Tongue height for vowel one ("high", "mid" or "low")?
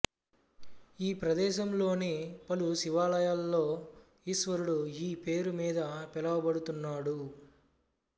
high